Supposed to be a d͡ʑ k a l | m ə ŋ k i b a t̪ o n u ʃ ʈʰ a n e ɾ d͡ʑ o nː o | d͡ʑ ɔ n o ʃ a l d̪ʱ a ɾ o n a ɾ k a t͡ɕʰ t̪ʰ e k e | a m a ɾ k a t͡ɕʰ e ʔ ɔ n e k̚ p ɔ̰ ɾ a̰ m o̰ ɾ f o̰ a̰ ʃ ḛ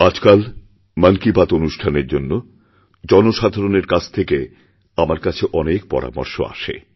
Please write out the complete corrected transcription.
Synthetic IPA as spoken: a d͡ʑ k a l | m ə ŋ k i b a t̪ o n u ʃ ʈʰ a n e ɾ d͡ʑ o nː o | d͡ʑ ɔ n o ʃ a d̪ʱ a ɾ o n e ɾ k a t͡ɕʰ t̪ʰ e k e | a m a ɾ k a t͡ɕʰ e ʔ ɔ n e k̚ p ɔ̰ ɾ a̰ m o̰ ɾ ʃ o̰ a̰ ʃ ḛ